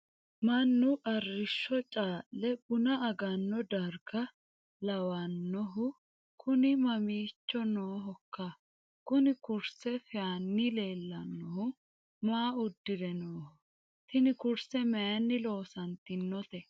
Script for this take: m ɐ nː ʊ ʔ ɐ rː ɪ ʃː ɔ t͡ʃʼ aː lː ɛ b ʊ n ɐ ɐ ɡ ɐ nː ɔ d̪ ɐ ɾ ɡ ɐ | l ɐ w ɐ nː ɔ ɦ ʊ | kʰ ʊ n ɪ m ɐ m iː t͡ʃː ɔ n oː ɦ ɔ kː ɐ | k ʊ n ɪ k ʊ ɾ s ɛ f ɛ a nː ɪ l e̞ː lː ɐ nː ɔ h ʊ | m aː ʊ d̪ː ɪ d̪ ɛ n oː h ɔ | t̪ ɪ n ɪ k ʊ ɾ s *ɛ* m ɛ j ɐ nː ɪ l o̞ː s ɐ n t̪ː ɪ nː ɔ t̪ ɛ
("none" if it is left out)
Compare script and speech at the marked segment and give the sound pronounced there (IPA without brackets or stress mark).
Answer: ɛ